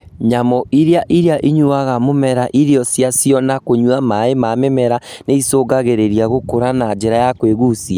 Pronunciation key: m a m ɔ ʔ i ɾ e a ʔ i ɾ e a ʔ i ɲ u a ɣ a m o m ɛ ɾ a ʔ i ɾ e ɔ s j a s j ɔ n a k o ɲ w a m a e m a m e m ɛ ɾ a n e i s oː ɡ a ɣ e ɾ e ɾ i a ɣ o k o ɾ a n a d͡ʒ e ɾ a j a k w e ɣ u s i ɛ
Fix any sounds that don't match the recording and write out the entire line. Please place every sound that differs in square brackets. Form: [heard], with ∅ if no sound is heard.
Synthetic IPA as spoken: [ɲ] a m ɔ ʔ i ɾ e a ʔ i ɾ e a ʔ i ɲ u a ɣ a m o m ɛ ɾ a ʔ i ɾ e ɔ s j a s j ɔ n a k o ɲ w a m a e m a m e m ɛ ɾ a n e i s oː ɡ a ɣ e ɾ e ɾ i a ɣ o k o ɾ a n a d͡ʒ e ɾ a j a k w e ɣ u s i [a]